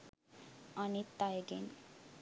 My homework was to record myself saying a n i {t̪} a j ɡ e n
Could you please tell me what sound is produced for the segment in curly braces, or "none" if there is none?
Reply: t̪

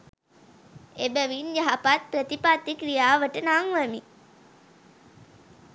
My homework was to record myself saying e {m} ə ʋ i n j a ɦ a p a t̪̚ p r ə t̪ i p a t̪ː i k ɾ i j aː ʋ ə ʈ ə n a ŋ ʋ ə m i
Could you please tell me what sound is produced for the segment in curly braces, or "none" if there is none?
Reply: b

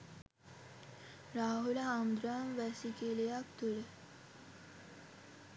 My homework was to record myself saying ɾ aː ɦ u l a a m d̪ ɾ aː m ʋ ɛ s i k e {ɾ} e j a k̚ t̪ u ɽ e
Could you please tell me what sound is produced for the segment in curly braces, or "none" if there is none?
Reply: l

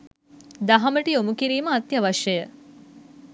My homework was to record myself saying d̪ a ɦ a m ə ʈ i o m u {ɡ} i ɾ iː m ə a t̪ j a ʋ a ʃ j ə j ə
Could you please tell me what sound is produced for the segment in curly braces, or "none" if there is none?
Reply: k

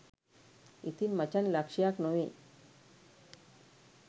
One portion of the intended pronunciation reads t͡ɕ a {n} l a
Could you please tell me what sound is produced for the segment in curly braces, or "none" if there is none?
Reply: n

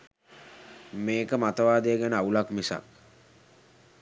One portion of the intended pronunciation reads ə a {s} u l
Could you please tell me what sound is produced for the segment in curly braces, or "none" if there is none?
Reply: none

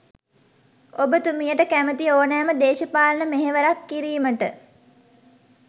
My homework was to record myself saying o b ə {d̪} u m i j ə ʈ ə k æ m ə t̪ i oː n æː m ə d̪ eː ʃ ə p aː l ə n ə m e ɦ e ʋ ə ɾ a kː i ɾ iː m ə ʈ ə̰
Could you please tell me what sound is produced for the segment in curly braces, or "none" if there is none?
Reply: t̪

